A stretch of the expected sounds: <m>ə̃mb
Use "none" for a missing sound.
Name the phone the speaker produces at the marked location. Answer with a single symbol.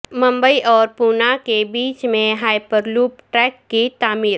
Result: m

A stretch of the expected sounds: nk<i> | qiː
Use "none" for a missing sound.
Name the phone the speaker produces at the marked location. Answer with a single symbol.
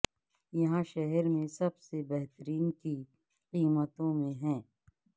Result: i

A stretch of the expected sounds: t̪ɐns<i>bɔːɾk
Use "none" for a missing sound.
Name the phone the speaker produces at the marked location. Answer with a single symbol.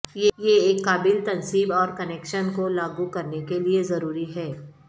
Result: iː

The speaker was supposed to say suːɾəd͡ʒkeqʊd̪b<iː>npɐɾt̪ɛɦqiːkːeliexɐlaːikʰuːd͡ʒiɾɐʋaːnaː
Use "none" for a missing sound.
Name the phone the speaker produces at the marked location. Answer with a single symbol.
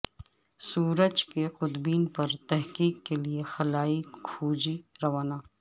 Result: iː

